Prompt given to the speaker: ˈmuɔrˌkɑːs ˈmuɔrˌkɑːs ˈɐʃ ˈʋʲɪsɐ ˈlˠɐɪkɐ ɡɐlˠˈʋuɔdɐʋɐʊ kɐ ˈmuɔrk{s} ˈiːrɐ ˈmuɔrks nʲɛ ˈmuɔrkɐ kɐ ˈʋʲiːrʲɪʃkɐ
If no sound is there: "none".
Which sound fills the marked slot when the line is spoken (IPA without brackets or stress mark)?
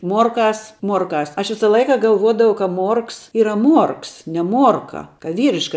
s